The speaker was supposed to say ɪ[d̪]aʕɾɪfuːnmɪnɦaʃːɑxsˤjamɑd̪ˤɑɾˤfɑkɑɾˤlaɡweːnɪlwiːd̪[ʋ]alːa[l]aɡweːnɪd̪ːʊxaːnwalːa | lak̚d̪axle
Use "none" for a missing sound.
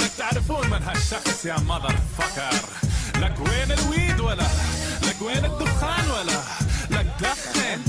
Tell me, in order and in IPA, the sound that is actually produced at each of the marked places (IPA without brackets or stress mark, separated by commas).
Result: t̪, w, l